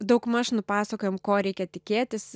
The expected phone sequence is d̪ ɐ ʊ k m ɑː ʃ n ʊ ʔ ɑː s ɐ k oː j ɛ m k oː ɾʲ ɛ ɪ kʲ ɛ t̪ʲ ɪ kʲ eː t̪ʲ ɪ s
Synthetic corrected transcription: d̪ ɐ ʊ k m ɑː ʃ n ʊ p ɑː s ɐ k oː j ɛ m k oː ɾʲ ɛ ɪ kʲ ɛ t̪ʲ ɪ kʲ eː t̪ʲ ɪ s